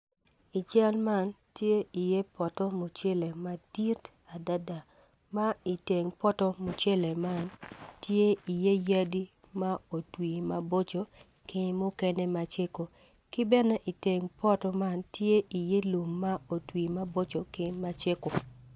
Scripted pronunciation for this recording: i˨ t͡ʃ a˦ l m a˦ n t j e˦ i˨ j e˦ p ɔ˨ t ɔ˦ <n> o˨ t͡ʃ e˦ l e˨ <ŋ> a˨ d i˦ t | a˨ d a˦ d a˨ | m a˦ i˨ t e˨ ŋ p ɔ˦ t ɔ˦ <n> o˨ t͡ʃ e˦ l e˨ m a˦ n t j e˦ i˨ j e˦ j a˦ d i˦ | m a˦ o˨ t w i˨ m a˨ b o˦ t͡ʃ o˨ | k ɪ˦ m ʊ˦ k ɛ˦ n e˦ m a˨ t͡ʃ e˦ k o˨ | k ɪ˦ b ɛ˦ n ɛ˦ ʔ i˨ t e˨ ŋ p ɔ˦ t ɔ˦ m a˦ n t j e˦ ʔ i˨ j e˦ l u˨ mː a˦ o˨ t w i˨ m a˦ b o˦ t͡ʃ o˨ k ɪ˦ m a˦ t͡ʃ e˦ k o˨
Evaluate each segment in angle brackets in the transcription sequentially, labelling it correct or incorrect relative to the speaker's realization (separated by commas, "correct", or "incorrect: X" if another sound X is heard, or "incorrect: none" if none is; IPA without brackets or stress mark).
incorrect: m, incorrect: m, incorrect: m